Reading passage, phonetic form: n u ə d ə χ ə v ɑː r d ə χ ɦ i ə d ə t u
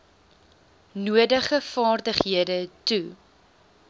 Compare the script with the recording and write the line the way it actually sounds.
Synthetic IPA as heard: n u ə d ə χ ə f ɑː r d ə χ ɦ i ə d ə t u